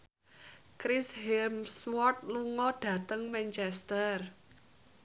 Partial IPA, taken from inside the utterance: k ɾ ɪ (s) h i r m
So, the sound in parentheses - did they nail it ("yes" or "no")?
yes